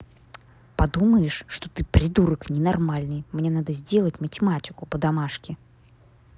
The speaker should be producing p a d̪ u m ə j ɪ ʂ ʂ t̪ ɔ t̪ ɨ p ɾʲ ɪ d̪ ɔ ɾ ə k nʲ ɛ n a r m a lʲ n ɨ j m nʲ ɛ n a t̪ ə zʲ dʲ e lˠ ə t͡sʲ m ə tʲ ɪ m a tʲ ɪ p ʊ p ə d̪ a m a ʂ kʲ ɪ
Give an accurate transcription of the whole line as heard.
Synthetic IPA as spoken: p a d̪ u m ə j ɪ ʂ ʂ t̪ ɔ t̪ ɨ p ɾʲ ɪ d̪ u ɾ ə k nʲ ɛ n a r m a lʲ n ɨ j m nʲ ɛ n a d̪ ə zʲ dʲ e lˠ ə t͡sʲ m ə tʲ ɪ m a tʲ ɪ k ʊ p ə d̪ a m a ʂ kʲ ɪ